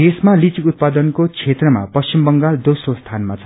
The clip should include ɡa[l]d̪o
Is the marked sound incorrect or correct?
correct